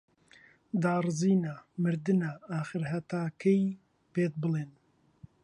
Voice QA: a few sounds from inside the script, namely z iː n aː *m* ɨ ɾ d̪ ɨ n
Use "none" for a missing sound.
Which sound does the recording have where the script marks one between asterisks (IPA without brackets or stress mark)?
m